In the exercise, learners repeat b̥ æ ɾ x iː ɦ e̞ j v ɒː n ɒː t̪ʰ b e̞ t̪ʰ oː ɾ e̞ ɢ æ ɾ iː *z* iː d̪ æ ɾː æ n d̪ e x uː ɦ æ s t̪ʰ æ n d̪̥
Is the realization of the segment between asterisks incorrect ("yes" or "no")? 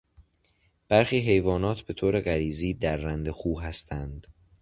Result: no